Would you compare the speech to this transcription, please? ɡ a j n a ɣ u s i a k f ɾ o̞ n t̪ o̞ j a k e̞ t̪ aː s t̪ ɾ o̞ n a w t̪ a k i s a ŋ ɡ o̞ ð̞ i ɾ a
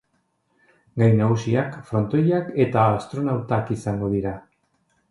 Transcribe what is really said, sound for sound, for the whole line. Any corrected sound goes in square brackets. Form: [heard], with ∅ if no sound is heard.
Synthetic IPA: ɡ a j n a ɣ u s i a k f ɾ o̞ n t̪ o̞ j a k e̞ t̪ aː s t̪ ɾ o̞ n a w t̪ a k i s a ŋ ɡ o̞ ð̞ i ɾ a